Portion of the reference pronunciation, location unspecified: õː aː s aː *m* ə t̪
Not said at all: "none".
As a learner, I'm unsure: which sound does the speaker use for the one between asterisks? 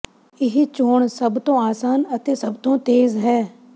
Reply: n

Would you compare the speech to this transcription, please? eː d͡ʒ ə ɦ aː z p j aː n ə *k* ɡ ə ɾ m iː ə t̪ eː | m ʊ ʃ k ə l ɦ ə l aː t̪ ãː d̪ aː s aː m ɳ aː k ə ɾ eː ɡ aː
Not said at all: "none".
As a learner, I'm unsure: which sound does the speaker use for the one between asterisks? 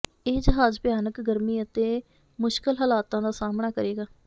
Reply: k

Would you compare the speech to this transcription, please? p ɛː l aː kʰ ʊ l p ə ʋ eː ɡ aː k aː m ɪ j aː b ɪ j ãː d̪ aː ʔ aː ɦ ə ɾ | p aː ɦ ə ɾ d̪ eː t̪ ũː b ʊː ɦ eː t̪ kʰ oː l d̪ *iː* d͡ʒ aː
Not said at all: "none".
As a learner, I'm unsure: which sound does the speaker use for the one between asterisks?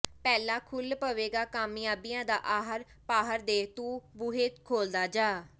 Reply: aː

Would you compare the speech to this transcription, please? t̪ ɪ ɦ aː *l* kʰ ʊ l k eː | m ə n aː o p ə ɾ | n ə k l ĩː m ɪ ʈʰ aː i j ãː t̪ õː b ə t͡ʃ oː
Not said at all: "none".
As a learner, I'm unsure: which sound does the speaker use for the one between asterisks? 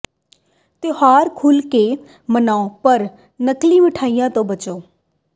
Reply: ɾ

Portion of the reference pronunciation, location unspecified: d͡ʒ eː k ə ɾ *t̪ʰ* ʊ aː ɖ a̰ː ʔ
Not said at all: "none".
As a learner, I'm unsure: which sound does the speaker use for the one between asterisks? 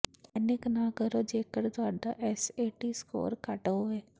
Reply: t̪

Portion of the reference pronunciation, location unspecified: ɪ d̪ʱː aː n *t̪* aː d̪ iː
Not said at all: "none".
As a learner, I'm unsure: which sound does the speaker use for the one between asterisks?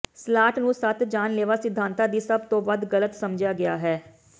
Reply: t̪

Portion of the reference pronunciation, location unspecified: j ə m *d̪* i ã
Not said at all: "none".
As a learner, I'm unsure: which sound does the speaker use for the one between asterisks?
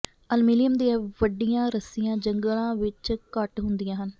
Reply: d̪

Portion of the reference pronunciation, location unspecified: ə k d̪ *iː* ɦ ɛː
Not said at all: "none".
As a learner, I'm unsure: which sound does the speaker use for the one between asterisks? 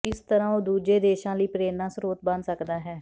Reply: aː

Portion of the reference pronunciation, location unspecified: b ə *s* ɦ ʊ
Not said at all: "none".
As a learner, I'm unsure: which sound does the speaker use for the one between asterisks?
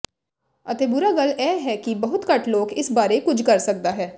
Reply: none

